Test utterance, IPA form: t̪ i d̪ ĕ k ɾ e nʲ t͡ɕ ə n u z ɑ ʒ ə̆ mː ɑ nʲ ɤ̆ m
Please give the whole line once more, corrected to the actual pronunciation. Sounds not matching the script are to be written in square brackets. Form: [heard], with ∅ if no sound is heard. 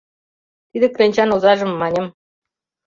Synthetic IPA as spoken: t̪ i d̪ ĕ k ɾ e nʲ t͡ɕ [ɑ] n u z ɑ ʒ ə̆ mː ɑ nʲ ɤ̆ m